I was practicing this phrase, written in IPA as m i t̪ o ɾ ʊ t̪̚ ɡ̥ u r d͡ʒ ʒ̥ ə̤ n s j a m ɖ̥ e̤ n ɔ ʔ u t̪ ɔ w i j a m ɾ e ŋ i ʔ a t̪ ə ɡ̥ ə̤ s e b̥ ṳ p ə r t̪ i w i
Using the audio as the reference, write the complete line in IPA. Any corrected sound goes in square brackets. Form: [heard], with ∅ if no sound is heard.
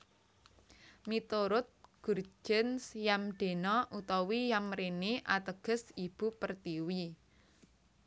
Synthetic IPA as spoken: m i t̪ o ɾ ʊ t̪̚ ɡ̥ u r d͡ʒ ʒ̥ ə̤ n s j a m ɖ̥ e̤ n ɔ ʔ u t̪ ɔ w i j a m ɾ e [n] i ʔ a t̪ ə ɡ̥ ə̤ s [i] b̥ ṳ p ə r t̪ i w i